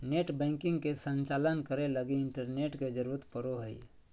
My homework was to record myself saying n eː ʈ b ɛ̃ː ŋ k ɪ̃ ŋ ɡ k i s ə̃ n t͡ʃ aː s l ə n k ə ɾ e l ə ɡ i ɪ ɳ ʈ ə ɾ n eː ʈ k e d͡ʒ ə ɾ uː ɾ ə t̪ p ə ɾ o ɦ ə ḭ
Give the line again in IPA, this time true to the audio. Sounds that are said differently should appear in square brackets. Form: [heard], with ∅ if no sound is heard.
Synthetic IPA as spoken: n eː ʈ b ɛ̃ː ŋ k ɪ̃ ŋ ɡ k [e] s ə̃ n t͡ʃ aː [∅] l ə n k ə ɾ e l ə ɡ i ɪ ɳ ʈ ə ɾ n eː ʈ k e d͡ʒ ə ɾ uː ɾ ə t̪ p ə ɾ o ɦ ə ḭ